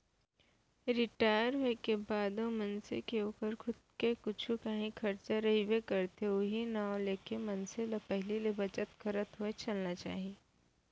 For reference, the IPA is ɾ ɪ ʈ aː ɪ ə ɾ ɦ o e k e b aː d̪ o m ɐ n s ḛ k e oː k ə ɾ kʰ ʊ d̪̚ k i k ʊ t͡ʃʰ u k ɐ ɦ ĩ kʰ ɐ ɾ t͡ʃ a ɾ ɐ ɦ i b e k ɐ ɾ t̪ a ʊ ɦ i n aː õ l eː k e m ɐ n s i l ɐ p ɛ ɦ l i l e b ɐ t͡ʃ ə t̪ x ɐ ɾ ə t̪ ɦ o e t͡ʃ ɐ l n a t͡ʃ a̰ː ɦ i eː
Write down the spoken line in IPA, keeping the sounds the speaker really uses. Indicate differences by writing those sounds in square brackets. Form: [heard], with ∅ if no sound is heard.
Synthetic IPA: ɾ ɪ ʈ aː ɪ ə ɾ ɦ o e k e b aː d̪ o m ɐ n s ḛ k e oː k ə ɾ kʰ ʊ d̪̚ k [e] k ʊ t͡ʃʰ u k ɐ ɦ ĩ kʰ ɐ ɾ t͡ʃ a ɾ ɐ ɦ i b e k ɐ ɾ t̪ [e] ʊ ɦ i n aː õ l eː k e m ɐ n s [e] l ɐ p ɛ ɦ l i l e b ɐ t͡ʃ ə t̪ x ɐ ɾ ə t̪ ɦ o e t͡ʃ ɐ l n a t͡ʃ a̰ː ɦ i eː

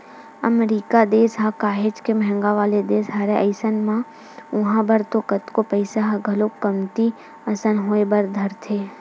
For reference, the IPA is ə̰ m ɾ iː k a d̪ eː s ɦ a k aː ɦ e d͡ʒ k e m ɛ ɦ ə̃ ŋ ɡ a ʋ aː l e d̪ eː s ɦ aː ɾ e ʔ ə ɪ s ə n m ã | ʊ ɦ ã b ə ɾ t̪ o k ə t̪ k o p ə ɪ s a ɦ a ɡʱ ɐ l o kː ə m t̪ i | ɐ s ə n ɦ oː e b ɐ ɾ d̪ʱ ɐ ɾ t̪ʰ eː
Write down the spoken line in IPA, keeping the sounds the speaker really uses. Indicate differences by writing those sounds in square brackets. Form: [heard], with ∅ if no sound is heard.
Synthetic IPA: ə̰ m ɾ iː k a d̪ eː s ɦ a k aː ɦ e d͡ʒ k e m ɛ ɦ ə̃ ŋ ɡ a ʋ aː l e d̪ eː s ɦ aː ɾ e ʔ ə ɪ s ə n m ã | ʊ ɦ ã b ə ɾ t̪ o k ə t̪ k o p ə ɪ s a ɦ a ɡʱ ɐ l o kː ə m t̪ i | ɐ s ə n ɦ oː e b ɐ ɾ d̪ʱ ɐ ɾ t̪ʰ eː

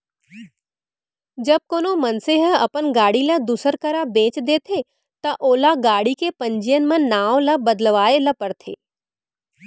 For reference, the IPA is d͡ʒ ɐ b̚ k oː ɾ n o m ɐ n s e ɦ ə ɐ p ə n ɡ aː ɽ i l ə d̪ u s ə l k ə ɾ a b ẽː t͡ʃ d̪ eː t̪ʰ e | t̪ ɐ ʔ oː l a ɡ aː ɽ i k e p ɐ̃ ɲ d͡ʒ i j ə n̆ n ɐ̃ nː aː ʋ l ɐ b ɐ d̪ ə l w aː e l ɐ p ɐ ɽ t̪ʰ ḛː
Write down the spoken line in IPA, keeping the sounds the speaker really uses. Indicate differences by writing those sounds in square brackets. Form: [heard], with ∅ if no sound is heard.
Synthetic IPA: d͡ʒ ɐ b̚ k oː [∅] n o m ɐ n s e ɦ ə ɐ p ə n ɡ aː ɽ i l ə d̪ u s ə [ɾ] k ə ɾ a b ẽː t͡ʃ d̪ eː t̪ʰ e | t̪ ɐ ʔ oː l a ɡ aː ɽ i k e p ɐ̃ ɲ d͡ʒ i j ə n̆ [m] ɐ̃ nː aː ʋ l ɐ b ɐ d̪ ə l [ʋ] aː e l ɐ p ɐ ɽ t̪ʰ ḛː

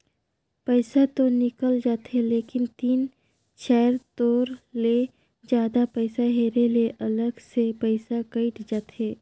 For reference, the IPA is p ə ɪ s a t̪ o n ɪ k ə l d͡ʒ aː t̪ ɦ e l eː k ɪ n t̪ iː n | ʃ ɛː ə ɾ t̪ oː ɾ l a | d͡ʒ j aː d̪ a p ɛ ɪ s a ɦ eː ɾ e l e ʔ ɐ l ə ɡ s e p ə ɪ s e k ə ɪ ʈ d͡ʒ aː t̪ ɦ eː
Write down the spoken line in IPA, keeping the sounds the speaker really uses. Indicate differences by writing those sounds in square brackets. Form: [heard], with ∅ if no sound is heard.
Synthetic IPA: p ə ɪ s a t̪ o n ɪ k ə l d͡ʒ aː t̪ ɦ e l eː k ɪ n t̪ iː n | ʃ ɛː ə ɾ t̪ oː ɾ l [e] | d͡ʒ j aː d̪ a p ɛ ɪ s a ɦ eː ɾ e l e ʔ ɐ l ə ɡ s e p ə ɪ s [a] k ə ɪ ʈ d͡ʒ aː t̪ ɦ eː

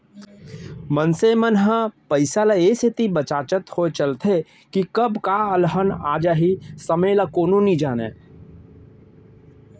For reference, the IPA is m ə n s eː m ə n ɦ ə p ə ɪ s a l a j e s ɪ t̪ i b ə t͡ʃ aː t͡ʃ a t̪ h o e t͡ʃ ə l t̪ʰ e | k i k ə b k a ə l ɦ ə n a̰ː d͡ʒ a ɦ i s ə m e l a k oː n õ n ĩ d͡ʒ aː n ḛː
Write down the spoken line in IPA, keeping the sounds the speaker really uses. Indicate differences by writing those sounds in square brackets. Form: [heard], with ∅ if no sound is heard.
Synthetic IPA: m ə n s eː m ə n ɦ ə p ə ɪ s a l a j e s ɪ t̪ i b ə t͡ʃ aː t͡ʃ [ə] t̪ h o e t͡ʃ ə l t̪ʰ e | k i k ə b k a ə l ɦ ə n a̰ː d͡ʒ a ɦ i s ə m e l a k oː n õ n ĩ d͡ʒ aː n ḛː

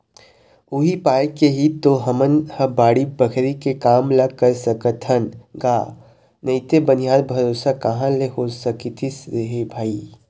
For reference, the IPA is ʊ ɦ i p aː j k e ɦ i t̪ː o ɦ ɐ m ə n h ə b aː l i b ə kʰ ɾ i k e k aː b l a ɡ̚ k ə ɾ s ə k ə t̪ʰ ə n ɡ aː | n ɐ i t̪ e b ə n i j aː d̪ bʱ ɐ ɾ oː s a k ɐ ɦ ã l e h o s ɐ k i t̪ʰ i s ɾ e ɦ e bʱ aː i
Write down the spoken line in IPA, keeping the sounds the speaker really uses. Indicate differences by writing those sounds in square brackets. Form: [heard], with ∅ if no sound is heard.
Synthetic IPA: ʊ ɦ i p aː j k e ɦ i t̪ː o ɦ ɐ m ə n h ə b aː [ɽ] i b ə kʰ ɾ i k e k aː [m] l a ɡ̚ k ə ɾ s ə k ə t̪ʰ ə n ɡ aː | n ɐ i t̪ e b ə n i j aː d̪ bʱ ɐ ɾ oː s a k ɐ ɦ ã l e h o s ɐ k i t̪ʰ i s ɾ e ɦ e bʱ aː i

